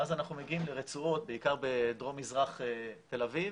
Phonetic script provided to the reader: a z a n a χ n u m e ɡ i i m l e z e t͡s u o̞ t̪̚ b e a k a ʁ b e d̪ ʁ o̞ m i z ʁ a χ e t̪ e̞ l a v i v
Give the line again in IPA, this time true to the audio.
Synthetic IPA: a z a n a χ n u m e ɡ i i m l e ʁ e t͡s u o̞ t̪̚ b e i k a ʁ b e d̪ ʁ o̞ m i z ʁ a χ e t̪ e̞ l a v i v

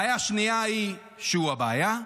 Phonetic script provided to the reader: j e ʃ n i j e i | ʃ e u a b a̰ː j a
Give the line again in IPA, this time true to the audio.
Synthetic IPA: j a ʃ n i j a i | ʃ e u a b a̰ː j a

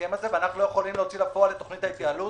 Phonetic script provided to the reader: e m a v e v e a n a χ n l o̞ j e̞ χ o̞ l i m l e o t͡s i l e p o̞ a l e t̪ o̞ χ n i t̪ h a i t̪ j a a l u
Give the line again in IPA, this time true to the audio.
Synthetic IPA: e m a z e v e a n a χ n l o̞ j e̞ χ o̞ l i m l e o t͡s i l a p o̞ a l e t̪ o̞ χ n i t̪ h a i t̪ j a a l u

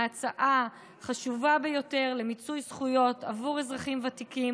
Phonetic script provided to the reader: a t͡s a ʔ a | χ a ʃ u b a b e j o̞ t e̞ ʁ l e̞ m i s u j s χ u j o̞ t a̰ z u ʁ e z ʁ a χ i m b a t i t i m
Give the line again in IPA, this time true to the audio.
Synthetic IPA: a t͡s a ʔ a | χ a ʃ u v a b e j o̞ t e̞ ʁ l e̞ m i t͡s u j s χ u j o̞ t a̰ v u ʁ e z ʁ a χ i m v a t i k i m

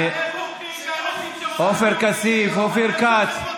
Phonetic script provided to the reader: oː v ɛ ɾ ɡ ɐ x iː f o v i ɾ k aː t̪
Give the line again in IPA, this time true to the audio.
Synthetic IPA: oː f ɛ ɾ k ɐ s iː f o f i ɾ k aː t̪

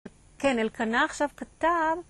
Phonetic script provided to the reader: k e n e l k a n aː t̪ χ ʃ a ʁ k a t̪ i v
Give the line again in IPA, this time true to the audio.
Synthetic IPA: k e n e l k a n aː χ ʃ a v k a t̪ a v

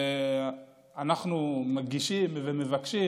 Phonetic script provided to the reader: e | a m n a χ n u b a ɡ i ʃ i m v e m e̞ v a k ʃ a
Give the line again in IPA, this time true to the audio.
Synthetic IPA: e | a n a χ n u m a ɡ i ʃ i m v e m e̞ v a k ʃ i

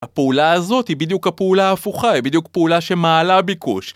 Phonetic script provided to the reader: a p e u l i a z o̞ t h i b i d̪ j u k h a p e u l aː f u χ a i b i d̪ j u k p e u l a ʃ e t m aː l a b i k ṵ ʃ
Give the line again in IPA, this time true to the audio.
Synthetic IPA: a p e u l a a z o̞ t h i b i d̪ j u k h a p e u l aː f u χ a i b i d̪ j u k p e u l a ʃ e m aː l a b i k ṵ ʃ

